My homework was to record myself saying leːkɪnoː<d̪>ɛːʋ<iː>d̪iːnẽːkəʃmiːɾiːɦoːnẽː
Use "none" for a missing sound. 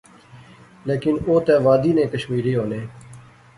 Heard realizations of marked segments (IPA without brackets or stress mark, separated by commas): t̪, aː